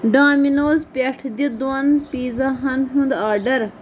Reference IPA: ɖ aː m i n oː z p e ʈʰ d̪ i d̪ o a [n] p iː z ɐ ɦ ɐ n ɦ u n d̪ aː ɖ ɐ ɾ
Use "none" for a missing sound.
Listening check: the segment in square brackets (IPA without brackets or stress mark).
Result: n